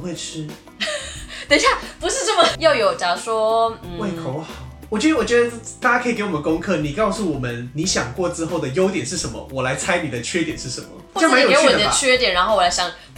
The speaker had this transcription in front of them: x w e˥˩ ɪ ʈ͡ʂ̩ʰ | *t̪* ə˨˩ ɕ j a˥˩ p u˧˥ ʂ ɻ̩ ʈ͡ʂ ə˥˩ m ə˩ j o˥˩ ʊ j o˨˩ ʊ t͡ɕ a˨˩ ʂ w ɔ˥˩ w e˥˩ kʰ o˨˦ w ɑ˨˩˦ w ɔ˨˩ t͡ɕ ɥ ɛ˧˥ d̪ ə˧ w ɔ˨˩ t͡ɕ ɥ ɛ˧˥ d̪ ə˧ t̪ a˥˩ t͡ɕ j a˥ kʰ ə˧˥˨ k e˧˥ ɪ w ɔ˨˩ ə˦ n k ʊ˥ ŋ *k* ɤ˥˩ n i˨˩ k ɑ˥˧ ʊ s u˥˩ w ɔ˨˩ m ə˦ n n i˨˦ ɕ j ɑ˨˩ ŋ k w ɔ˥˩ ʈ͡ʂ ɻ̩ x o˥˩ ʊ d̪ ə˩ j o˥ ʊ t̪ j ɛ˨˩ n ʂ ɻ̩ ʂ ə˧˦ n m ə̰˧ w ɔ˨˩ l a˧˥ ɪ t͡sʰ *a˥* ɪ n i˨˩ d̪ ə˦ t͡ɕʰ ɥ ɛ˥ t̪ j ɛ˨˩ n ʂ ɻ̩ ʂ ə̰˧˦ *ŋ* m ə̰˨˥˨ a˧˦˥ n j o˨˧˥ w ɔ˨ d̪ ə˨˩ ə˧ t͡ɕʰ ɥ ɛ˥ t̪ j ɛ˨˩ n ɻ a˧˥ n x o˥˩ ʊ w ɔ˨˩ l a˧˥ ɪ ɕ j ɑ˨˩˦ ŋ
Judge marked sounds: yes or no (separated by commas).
yes, no, yes, no